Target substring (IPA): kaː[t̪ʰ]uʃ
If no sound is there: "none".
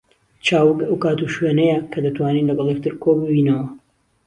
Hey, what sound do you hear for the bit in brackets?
t̪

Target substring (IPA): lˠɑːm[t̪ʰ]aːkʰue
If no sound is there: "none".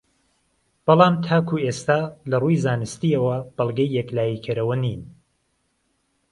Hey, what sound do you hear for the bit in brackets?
t̪ʰ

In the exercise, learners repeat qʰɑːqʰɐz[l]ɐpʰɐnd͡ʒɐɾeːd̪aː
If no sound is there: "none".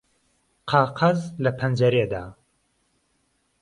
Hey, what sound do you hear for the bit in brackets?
l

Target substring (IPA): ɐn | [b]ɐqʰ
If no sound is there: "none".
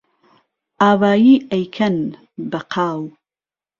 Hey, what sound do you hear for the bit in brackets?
b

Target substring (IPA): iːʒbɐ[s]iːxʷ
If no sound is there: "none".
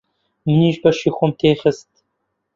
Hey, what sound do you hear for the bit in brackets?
ʃ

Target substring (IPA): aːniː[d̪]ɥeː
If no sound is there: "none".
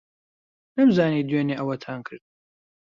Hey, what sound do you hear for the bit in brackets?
d̪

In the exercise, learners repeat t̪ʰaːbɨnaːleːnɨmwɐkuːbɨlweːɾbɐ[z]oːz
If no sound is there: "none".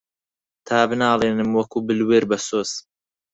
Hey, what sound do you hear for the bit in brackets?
s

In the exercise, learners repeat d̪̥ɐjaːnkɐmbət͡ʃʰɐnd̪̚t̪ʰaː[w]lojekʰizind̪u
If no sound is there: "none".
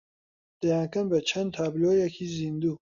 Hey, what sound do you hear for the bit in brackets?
b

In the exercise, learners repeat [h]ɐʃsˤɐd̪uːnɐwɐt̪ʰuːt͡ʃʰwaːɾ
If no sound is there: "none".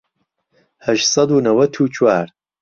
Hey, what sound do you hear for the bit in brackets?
h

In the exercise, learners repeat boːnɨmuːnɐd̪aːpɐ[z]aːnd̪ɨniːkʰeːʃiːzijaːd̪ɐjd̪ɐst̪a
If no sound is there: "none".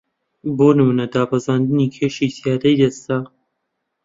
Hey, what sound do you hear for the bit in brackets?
z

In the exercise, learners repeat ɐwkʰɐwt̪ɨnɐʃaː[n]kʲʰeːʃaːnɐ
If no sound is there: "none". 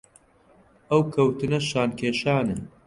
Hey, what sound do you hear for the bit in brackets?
n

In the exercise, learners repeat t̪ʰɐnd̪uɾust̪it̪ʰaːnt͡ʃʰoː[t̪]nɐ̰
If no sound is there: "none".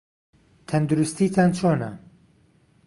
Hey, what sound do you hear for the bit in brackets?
none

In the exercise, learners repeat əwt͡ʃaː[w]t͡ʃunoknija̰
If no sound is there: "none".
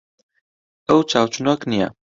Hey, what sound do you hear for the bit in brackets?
w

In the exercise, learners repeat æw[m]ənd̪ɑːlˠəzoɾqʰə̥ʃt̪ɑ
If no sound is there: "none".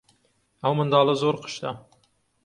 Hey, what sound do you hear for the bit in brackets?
m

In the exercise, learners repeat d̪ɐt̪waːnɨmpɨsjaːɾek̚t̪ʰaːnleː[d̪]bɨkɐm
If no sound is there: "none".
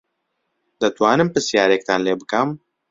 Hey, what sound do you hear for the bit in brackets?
none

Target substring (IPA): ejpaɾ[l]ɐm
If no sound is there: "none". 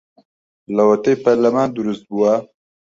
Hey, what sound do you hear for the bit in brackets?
l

